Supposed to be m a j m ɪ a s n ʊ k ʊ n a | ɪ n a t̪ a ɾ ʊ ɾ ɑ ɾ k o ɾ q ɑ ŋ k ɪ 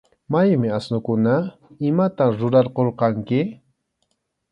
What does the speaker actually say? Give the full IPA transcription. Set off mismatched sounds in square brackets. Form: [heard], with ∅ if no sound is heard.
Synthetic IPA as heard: m a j m ɪ a s n ʊ k ʊ n a | ɪ [m] a t̪ a ɾ ʊ ɾ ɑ ɾ [q] o ɾ q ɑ ŋ k ɪ